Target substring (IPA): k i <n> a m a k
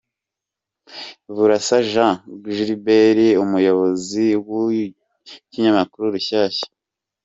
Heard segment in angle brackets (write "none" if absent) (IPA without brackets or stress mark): ɲ